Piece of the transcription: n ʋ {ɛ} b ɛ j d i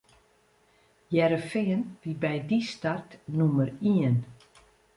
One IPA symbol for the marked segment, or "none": i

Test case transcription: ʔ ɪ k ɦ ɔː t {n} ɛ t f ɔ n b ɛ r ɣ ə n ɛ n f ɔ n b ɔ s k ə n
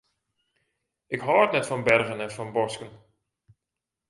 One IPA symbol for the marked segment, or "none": n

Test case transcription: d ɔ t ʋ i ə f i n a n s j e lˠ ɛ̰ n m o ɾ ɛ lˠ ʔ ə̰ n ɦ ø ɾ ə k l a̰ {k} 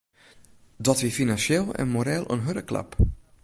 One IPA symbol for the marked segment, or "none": p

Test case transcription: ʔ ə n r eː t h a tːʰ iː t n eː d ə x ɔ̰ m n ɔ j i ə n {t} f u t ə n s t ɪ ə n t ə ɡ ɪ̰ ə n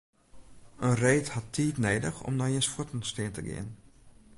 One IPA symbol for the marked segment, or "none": s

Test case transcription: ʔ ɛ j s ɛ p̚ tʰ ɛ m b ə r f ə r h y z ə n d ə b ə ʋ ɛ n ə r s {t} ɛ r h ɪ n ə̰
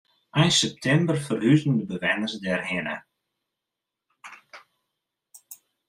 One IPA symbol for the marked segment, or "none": d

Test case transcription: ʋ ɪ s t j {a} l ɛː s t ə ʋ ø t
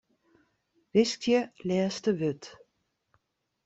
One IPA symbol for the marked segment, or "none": ə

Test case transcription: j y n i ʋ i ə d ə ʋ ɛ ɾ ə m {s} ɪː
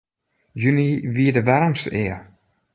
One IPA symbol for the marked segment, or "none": s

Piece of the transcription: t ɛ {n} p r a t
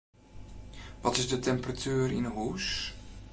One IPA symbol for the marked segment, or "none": m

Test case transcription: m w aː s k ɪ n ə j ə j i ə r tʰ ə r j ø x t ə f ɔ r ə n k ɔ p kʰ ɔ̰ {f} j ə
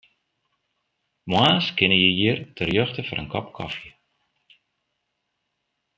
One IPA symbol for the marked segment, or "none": f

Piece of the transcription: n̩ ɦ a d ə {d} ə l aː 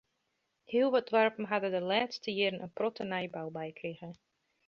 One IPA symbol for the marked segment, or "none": d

